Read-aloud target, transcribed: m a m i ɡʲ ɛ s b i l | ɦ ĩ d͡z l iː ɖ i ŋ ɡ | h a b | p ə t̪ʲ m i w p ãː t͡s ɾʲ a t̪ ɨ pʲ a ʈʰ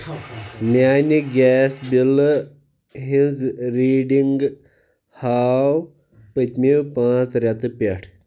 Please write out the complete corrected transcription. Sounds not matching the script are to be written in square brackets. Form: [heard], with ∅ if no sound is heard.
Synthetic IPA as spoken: m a [n] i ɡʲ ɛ s b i l | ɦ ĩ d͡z [ɾ] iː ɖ i ŋ ɡ | h a [w] | p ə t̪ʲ m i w p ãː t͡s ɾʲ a t̪ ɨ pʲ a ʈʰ